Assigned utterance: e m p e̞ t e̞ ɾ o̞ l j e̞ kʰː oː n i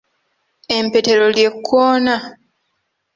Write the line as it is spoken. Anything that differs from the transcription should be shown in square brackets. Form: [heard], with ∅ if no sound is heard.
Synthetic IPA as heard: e m p e̞ t e̞ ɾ o̞ l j e̞ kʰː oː n [a]